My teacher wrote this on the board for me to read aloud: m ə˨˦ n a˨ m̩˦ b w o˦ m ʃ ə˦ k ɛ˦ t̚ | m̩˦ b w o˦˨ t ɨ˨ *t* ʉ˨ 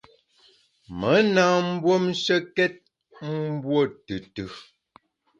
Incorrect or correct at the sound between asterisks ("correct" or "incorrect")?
correct